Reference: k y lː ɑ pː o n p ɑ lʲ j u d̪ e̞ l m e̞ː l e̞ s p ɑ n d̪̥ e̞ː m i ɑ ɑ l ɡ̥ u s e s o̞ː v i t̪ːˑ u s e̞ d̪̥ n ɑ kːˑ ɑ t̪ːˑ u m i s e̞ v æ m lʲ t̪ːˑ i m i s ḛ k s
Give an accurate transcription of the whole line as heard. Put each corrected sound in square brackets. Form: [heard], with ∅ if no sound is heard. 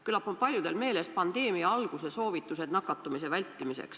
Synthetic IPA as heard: k y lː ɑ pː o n p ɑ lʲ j u d̪ e̞ l m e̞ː l e̞ s p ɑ n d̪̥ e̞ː m i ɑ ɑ l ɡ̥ u s e s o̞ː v i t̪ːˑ u s e̞ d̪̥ n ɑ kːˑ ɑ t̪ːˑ u m i s e̞ v æ [∅] lʲ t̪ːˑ i m i s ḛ k s